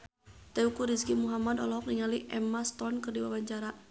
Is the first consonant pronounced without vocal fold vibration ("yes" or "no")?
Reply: yes